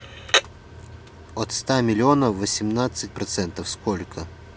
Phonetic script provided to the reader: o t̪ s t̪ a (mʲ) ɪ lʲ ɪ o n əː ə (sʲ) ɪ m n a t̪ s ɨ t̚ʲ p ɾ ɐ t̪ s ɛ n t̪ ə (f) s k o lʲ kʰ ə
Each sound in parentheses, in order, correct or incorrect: correct, correct, correct

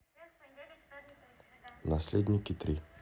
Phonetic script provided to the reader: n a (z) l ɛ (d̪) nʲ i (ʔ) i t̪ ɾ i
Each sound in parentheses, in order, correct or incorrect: incorrect: s, correct, incorrect: k

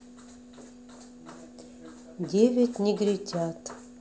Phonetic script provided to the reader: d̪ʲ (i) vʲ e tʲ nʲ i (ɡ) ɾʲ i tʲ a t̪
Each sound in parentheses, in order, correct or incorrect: incorrect: e, correct

